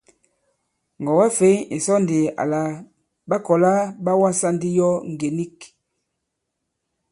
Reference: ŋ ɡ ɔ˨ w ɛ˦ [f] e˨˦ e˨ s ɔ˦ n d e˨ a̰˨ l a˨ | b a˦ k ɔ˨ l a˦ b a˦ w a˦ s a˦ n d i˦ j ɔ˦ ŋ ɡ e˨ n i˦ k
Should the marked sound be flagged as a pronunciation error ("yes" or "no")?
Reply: no